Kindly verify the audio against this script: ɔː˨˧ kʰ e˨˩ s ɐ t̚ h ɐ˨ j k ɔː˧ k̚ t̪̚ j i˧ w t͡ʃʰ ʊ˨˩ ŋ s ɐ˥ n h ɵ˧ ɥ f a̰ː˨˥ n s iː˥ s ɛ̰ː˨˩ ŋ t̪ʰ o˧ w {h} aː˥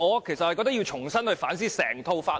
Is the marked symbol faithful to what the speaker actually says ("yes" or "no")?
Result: no